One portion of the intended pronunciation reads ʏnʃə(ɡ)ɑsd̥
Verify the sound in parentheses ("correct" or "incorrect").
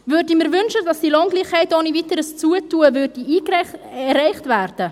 incorrect